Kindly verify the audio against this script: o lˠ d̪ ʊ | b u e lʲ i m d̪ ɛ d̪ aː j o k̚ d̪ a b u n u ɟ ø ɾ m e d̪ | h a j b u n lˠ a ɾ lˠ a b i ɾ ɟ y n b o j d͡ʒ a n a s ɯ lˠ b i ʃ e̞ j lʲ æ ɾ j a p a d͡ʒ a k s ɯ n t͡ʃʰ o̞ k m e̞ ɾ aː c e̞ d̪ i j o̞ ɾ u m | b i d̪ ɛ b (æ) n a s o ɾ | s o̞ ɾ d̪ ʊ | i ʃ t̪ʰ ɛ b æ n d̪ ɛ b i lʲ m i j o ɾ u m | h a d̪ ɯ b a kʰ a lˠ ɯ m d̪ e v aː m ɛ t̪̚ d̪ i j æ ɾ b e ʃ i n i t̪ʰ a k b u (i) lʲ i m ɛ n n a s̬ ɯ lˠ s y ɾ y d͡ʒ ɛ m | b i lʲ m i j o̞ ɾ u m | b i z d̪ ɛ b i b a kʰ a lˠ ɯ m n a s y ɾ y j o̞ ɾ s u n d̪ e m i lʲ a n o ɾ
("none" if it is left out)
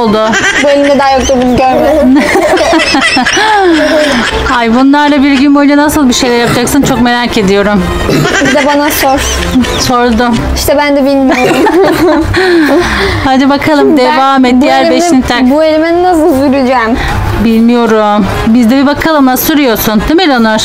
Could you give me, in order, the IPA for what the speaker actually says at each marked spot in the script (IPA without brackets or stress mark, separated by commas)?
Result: a, e